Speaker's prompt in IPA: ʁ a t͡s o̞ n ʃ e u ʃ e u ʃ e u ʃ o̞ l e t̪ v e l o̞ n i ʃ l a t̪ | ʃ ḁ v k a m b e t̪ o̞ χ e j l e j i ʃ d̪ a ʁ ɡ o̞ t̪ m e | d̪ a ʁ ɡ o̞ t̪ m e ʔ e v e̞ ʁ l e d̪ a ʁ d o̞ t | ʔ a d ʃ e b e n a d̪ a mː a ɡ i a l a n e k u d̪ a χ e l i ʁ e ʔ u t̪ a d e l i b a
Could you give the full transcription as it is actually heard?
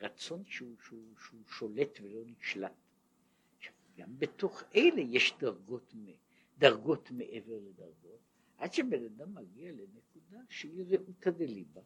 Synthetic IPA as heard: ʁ a t͡s o̞ n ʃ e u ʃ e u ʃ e u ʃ o̞ l e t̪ v e l o̞ n i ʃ l a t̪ | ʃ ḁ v ɡ a m b e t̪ o̞ χ e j l e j e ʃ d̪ a ʁ ɡ o̞ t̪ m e | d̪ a ʁ ɡ o̞ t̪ m e ʔ e v e̞ ʁ l e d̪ a ʁ ɡ o̞ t | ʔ a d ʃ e b e n a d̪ a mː a ɡ i a l e n e k u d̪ a ʃ e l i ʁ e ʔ u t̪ a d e l i b a